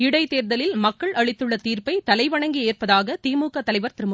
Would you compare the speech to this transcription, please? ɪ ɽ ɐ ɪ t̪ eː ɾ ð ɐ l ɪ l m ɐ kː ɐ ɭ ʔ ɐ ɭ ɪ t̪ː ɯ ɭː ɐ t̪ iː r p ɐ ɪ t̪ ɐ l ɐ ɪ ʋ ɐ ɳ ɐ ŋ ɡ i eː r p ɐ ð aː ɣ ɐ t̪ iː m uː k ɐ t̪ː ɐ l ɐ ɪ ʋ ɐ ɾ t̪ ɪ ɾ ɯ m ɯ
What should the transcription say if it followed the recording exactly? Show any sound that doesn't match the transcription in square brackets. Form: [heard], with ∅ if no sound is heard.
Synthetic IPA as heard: ɪ ɽ ɐ ɪ t̪ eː ɾ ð ɐ l ɪ l m ɐ kː ɐ ɭ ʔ ɐ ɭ ɪ t̪ː ɯ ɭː ɐ t̪ iː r p ɐ ɪ t̪ ɐ l ɐ ɪ ʋ ɐ ɳ ɐ ŋ ɡ i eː r p ɐ ð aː ɣ ɐ t̪ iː m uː k ɐ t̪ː ɐ l ɐ ɪ ʋ ɐ ɾ t̪ ɪ ɾ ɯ m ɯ